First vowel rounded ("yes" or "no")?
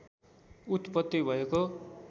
yes